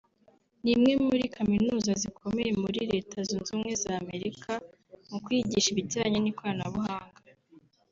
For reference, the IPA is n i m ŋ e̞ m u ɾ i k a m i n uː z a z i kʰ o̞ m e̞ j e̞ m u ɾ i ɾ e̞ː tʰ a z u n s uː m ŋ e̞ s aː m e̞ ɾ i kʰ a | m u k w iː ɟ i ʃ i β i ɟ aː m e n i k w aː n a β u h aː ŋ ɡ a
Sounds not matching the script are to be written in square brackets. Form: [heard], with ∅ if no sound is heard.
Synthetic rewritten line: n i m ŋ e̞ m u ɾ i k a m i n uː z a z i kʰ o̞ m e̞ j e̞ m u ɾ i ɾ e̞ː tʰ a z u n [z] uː m ŋ e̞ [z] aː m e̞ ɾ i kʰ a | m u k w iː ɟ i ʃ i β i ɟ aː [ɲ] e n i k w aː n a β u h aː ŋ ɡ a